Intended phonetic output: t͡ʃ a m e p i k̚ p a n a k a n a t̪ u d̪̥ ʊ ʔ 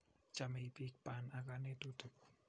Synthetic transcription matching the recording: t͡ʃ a m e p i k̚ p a n a k a n e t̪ u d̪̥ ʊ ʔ